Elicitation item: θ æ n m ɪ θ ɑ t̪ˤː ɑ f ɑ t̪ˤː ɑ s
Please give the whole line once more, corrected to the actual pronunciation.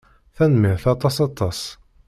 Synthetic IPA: θ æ n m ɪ θ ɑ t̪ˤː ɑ s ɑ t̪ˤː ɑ s